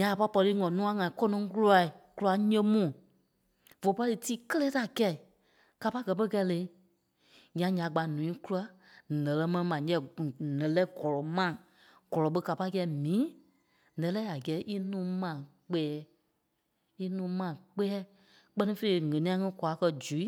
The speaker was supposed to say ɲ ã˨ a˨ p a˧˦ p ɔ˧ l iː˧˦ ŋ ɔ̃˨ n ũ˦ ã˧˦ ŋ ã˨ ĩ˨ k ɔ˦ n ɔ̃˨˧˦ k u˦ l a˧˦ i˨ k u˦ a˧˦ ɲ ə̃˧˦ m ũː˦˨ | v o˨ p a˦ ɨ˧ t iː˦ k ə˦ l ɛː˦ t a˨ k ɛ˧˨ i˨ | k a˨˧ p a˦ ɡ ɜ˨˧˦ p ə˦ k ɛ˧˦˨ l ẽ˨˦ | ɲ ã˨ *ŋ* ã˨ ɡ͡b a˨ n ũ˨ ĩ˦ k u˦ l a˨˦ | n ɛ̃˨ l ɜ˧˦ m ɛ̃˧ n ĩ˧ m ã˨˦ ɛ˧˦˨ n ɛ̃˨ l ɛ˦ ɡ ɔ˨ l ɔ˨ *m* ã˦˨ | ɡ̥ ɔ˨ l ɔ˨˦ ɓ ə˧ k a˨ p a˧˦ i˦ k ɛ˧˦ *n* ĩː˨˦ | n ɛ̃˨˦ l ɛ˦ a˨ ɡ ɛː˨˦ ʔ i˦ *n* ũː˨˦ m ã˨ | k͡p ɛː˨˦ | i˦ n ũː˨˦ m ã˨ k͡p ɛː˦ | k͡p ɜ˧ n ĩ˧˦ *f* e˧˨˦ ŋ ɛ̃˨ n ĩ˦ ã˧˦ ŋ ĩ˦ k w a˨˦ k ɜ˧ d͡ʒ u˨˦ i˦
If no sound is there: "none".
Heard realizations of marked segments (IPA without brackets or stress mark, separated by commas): ɲ, m, m, n, f